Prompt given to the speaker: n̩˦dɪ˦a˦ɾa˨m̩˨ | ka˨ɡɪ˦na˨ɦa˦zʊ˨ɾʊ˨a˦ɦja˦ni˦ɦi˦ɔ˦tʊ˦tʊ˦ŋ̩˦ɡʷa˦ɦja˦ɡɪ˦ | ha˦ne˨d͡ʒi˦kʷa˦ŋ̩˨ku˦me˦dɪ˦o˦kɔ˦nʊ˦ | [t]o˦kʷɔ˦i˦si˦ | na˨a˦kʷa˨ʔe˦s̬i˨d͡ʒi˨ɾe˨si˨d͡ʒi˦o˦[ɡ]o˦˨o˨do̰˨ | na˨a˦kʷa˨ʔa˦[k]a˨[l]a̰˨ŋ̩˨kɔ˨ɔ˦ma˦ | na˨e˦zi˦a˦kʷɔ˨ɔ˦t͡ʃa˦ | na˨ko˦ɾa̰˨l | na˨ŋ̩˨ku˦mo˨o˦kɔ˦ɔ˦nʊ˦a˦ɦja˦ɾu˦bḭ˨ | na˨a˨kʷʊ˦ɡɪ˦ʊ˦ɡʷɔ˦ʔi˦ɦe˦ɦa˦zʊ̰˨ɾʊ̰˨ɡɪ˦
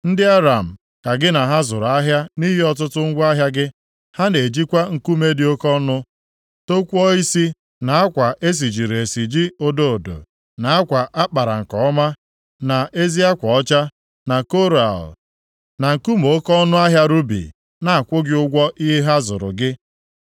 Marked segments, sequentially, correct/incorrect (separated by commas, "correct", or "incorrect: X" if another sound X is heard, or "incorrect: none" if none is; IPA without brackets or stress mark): correct, incorrect: d, incorrect: k͡p, incorrect: ɾ